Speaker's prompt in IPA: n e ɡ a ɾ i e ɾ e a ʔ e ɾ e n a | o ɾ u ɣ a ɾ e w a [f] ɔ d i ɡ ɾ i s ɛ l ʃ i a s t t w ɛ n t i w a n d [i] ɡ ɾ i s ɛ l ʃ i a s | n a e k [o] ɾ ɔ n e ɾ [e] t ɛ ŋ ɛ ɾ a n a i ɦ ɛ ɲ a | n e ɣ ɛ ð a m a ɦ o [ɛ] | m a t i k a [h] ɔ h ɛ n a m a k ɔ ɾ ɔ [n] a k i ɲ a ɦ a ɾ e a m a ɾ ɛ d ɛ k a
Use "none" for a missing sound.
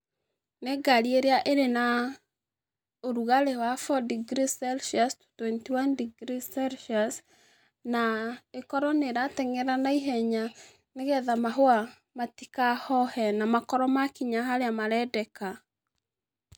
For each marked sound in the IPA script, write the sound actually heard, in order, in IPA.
f, i, ɔ, a, a, h, m

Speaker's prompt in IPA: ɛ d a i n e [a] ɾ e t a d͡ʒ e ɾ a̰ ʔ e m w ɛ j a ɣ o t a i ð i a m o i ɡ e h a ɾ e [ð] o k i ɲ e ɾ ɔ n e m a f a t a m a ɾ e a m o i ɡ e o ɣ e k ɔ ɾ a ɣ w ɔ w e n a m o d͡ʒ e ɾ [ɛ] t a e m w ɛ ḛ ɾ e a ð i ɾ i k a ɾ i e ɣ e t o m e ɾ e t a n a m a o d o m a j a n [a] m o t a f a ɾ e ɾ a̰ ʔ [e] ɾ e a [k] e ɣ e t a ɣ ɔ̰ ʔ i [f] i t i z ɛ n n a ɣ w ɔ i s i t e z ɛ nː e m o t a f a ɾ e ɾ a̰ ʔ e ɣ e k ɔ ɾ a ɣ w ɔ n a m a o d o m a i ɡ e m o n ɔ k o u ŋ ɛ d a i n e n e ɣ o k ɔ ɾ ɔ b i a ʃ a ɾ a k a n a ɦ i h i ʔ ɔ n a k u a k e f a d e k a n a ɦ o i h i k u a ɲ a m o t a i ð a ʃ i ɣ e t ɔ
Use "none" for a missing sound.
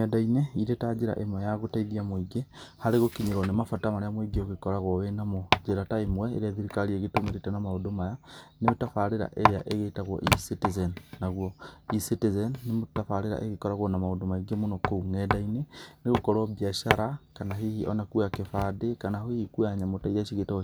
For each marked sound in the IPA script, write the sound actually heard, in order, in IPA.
i, ɣ, a, e, e, ʔ, s

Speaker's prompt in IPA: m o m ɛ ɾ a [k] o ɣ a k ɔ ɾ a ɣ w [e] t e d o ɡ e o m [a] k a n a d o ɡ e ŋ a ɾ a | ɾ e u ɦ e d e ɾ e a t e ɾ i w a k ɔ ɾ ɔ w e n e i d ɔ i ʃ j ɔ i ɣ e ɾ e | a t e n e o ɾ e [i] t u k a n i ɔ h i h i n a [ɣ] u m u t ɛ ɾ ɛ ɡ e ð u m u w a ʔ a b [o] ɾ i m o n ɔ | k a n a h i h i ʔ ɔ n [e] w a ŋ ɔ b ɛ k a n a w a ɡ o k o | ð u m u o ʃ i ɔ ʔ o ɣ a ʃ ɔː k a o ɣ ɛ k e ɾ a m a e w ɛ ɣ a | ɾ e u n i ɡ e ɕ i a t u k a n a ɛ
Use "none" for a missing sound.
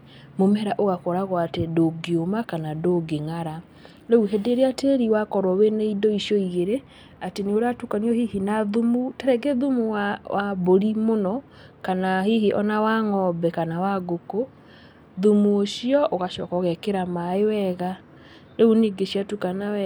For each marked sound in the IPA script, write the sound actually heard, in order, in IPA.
ʔ, a, a, a, ð, o, a

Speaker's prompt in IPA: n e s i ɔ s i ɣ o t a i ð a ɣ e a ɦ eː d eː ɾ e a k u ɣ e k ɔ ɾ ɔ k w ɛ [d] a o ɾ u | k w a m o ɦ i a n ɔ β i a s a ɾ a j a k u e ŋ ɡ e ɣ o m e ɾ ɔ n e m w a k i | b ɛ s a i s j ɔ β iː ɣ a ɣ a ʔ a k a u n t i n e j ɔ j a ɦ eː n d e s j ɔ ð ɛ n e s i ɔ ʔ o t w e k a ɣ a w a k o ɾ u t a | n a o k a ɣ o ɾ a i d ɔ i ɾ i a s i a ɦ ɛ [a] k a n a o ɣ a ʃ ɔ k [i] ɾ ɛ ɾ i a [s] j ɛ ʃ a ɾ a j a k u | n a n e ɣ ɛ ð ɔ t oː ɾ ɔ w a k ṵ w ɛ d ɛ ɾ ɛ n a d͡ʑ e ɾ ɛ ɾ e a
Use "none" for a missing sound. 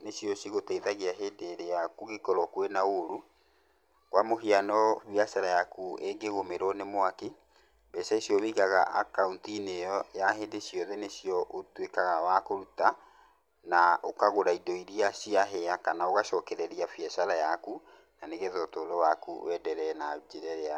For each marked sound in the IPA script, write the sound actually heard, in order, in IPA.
n, a, ɛ, f

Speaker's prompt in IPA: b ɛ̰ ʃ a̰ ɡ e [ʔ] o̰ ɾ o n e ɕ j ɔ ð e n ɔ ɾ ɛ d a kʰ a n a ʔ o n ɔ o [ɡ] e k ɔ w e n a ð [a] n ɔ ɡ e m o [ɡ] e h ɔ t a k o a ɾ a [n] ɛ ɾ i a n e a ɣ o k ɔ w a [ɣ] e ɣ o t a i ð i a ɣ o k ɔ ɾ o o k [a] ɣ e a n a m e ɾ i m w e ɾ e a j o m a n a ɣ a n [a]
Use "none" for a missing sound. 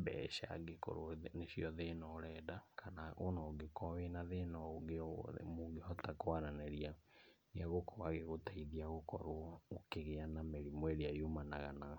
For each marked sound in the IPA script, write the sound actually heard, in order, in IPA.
k, ɡ, e, ɡ, n, ɣ, e, a

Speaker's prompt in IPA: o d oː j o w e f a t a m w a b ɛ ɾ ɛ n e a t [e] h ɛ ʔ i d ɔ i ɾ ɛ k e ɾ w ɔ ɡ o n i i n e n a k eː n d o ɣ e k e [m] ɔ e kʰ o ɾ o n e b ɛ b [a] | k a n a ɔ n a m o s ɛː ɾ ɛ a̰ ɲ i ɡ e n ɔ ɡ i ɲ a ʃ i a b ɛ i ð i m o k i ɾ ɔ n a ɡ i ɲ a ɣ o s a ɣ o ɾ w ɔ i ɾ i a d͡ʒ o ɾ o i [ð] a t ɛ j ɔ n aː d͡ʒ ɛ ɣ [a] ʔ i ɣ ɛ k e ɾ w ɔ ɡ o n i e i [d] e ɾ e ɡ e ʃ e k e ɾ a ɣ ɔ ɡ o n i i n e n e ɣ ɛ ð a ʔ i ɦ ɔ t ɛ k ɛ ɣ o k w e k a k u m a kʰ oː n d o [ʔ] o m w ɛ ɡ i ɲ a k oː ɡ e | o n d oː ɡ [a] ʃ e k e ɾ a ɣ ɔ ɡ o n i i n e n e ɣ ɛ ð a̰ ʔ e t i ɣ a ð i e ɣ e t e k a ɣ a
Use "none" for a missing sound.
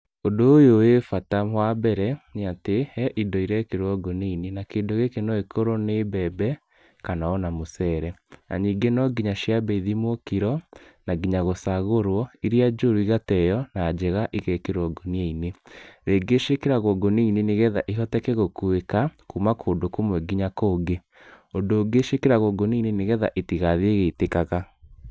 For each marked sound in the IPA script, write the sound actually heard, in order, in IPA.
e, n, ɛ, ɣ, a, n, k, e

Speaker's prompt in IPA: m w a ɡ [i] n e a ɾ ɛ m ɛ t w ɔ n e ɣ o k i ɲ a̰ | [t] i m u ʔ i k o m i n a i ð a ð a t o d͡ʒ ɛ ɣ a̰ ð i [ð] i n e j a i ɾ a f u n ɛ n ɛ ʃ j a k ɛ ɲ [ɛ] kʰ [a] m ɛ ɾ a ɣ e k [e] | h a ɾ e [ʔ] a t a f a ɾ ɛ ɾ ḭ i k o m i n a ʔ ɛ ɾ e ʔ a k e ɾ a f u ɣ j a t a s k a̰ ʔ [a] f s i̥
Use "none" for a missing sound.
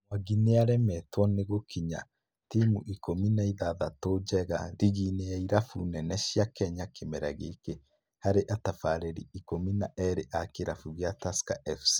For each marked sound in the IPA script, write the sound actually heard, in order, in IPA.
i, t, ɣ, a, e, e, ʔ, ɛ

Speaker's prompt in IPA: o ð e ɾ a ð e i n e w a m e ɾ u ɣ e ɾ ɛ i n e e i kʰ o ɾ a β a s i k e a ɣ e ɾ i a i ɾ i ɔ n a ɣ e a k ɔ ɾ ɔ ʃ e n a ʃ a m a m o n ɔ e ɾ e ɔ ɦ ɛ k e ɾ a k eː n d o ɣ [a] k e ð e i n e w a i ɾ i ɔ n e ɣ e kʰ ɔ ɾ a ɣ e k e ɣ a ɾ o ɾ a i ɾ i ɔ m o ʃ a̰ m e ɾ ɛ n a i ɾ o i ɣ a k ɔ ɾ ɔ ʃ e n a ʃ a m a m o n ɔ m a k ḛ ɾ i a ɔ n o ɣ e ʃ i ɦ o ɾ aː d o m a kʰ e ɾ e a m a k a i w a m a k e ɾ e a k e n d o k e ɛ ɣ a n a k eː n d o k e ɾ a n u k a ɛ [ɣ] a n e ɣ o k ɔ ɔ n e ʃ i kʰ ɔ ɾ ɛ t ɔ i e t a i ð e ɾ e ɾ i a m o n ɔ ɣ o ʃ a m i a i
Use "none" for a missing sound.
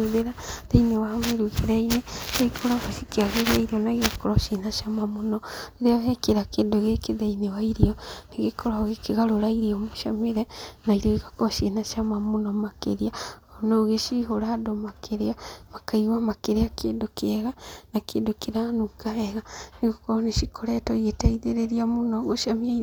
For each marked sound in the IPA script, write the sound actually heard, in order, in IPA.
e, ɣ

